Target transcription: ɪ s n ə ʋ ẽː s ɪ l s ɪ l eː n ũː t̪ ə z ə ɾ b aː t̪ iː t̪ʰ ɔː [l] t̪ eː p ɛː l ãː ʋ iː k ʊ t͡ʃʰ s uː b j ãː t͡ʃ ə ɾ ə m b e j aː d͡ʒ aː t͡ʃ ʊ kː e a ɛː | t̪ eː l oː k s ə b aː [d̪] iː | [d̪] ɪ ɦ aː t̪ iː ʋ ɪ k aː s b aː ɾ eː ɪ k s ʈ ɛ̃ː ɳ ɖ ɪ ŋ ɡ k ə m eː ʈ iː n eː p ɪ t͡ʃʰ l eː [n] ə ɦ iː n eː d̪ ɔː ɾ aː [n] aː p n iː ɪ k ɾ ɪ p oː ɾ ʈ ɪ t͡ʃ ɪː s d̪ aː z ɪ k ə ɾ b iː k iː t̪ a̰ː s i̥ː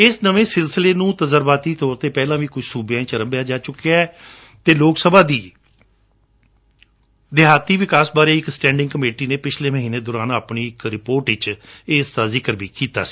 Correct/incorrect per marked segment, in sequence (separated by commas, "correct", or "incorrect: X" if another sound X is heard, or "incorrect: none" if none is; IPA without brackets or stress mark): incorrect: ɾ, correct, correct, incorrect: m, correct